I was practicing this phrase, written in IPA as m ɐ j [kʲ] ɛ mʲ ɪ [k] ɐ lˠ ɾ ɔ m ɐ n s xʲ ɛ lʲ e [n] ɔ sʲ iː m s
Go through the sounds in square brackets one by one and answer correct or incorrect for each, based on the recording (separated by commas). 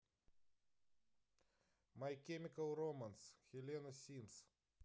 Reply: correct, correct, correct